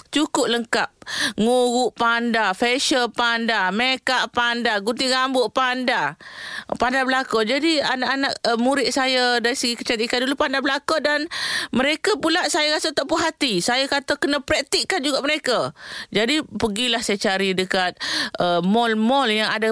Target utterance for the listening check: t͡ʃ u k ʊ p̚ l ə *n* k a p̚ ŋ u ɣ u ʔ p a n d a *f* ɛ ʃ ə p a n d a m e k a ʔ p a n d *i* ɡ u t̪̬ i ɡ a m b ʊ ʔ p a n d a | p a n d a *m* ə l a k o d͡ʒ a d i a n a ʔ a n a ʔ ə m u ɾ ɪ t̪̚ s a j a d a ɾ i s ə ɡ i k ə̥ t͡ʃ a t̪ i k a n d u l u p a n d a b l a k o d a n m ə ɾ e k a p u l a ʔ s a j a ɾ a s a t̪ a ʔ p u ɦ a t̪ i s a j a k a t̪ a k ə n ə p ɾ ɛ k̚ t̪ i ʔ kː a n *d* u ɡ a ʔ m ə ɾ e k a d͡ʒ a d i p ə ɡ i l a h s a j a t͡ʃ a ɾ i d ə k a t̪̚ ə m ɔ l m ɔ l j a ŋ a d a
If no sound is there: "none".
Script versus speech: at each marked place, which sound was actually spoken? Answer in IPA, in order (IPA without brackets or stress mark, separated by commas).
ŋ, f, a, b, d͡ʒ